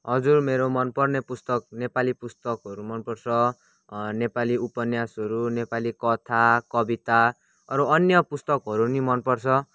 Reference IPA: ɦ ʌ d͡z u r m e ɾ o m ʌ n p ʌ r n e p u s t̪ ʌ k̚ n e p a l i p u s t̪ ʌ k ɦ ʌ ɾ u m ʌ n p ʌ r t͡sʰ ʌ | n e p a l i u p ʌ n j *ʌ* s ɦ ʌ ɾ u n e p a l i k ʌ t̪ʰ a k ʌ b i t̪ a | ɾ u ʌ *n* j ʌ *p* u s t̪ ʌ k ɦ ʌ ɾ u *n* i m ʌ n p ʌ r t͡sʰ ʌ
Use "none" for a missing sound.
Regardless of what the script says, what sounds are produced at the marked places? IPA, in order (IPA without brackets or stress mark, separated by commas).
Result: a, n, p, n